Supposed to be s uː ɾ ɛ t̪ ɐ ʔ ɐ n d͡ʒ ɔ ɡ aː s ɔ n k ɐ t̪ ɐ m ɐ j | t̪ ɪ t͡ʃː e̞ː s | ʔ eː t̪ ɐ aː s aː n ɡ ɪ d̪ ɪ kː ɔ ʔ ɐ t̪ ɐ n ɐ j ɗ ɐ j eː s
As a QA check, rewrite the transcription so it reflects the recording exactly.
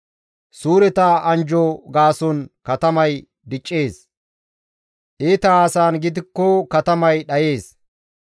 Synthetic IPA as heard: s uː ɾ ɛ t̪ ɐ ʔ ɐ n d͡ʒ ɔ ɡ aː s ɔ n k ɐ t̪ ɐ m ɐ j | d̪ ɪ t͡ʃʼː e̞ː s | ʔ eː t̪ ɐ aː s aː n ɡ ɪ d̪ ɪ kː ɔ k ɐ t̪ ɐ m ɐ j ɗ ɐ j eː s